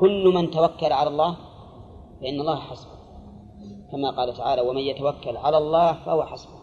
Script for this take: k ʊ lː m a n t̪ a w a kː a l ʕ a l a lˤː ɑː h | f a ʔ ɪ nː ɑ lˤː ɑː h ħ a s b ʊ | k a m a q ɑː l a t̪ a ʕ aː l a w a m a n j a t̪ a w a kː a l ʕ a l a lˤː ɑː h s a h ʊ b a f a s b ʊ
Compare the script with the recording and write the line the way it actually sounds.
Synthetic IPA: k ʊ lː m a n t̪ a w a kː a l ʕ a l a lˤː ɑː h | f a ʔ ɪ nː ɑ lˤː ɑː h ħ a s b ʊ | k a m a q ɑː l a t̪ a ʕ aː l a w a m a n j a t̪ a w a kː a l ʕ a l a lˤː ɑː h f a h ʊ w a ħ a s b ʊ